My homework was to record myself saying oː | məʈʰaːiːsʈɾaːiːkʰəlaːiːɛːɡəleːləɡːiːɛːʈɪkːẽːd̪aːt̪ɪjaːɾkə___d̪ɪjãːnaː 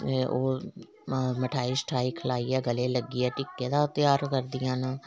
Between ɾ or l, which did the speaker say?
ɾ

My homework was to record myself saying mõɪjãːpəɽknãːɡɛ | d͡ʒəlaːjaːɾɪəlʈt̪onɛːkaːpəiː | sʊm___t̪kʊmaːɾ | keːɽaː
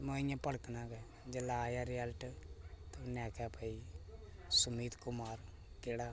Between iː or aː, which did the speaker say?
iː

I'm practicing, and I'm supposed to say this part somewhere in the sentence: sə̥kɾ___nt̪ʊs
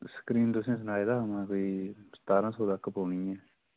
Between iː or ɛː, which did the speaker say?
iː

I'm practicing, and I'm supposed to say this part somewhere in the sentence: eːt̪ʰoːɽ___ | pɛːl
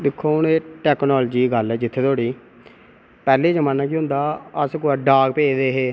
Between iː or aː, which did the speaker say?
iː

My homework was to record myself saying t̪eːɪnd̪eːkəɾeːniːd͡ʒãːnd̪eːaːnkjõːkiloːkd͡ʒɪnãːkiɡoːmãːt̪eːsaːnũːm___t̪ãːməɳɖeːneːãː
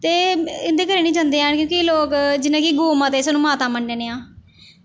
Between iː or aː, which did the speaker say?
aː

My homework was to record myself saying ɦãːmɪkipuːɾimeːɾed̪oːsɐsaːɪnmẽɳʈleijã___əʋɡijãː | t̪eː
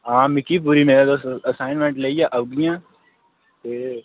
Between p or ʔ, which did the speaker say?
ʔ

